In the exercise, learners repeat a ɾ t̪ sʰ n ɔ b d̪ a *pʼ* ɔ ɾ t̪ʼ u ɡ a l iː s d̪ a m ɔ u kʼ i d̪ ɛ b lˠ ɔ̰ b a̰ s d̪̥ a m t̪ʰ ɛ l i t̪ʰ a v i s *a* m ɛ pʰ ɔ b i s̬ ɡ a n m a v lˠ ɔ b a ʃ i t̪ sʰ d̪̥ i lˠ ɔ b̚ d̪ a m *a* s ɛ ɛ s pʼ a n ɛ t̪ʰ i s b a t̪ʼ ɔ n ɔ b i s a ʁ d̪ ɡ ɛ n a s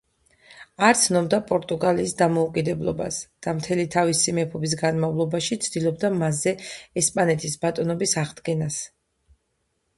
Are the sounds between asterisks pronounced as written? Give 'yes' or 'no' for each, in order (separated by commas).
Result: yes, no, yes